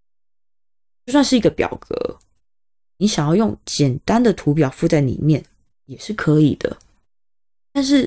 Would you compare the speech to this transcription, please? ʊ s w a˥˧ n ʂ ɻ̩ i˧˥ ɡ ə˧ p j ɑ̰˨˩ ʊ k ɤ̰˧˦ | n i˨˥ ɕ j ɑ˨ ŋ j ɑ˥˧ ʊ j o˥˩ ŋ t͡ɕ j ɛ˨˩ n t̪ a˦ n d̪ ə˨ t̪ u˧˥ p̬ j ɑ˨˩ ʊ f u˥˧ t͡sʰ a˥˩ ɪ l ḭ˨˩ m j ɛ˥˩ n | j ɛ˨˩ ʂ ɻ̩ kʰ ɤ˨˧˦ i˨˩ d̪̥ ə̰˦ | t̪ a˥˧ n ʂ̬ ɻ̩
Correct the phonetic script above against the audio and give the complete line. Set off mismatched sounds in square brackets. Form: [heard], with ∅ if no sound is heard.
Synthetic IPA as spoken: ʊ s w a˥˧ n ʂ ɻ̩ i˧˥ ɡ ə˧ p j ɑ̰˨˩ ʊ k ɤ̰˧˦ | n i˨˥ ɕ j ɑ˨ ŋ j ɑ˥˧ ʊ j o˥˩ ŋ t͡ɕ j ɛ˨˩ n t̪ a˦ n d̪ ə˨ [t̪ʰ] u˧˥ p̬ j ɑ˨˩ ʊ f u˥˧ [t͡s] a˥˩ ɪ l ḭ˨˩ m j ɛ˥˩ n | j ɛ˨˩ ʂ ɻ̩ kʰ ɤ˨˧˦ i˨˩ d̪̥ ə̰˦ | t̪ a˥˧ n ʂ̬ ɻ̩